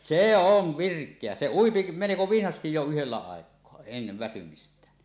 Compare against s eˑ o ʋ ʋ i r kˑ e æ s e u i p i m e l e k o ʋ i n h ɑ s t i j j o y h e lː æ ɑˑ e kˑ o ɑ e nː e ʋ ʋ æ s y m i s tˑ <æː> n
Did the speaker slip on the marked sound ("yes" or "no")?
no